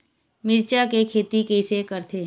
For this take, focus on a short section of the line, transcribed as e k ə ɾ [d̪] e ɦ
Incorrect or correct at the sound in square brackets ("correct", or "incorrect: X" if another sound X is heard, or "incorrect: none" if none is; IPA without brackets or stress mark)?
incorrect: t̪